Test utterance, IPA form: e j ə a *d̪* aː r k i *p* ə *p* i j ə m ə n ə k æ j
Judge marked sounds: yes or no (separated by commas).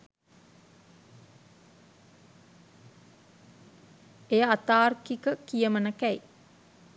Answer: no, no, no